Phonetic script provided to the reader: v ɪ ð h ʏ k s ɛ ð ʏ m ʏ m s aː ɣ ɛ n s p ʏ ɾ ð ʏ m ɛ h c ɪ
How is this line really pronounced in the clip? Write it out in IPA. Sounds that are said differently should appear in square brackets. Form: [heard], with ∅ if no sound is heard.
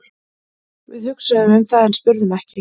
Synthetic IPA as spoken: v ɪ ð h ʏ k s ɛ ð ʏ m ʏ m [θ] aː [ð] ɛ n s p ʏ ɾ ð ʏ m ɛ h c ɪ